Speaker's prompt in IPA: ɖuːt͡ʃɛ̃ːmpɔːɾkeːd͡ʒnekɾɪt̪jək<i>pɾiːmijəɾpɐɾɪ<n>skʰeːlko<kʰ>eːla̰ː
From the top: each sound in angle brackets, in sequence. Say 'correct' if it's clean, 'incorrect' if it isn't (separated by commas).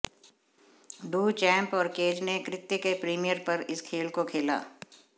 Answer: incorrect, incorrect, correct